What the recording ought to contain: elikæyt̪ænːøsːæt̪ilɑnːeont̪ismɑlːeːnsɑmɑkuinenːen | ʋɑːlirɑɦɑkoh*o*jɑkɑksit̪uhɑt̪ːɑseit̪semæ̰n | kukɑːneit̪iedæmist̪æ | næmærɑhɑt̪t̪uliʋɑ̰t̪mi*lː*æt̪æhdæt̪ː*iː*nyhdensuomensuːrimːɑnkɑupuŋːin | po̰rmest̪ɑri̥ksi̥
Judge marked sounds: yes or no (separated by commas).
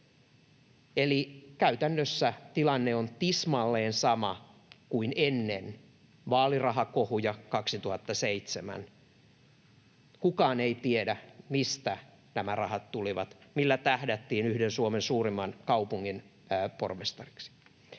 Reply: no, yes, yes